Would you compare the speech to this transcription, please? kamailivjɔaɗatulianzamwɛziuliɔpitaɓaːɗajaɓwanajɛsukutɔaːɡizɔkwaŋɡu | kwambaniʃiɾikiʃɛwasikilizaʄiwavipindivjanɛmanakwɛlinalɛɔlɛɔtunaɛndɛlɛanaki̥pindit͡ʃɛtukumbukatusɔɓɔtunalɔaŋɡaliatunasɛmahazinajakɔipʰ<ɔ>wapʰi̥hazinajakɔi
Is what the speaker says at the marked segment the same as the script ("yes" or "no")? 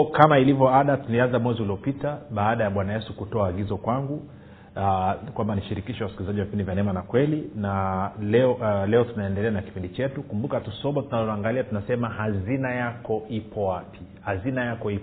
yes